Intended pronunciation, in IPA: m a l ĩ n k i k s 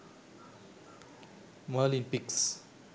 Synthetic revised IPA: m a l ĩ n p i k s